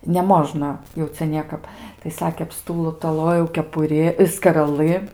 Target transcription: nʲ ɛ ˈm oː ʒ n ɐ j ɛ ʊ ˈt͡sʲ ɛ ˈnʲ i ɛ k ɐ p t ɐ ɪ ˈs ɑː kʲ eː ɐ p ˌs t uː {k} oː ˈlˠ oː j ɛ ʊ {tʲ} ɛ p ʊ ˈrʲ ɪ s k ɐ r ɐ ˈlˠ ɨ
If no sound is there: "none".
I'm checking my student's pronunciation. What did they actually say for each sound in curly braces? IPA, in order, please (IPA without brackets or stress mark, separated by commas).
t, kʲ